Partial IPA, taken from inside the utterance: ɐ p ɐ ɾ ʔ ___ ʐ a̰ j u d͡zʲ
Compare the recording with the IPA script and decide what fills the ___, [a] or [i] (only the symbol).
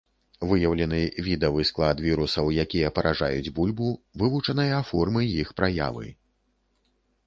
a